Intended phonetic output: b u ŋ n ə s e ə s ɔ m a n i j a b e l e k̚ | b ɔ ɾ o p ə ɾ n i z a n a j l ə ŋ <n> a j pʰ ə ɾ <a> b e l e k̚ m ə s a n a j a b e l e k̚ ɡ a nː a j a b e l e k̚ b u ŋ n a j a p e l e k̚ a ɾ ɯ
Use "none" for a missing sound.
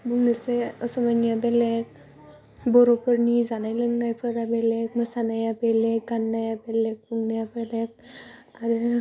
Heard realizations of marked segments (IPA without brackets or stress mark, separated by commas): n, a